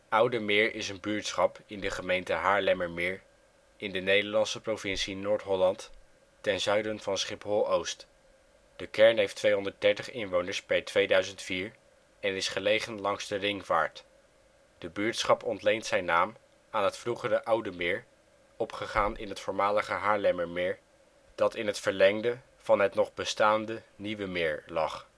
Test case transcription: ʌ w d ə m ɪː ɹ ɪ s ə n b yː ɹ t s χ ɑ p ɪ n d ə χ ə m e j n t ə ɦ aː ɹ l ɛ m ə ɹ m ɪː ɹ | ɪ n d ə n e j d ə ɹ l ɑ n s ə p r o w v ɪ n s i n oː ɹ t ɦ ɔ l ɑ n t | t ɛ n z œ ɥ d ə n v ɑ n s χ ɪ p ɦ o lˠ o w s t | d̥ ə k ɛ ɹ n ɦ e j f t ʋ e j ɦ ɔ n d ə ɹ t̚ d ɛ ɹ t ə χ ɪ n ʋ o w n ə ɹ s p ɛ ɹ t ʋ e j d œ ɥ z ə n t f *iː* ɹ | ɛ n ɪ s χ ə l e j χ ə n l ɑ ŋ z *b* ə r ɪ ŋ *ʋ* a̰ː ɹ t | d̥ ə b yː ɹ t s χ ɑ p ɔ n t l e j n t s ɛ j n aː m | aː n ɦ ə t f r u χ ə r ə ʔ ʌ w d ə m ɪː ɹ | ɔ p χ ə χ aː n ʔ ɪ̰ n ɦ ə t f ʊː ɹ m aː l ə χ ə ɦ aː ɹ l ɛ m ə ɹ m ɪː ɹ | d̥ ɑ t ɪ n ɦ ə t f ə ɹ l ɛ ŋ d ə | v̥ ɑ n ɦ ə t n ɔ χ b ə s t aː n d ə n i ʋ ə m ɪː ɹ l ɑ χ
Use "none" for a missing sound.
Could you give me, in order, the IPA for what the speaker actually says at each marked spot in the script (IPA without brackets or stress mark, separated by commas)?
iː, d, v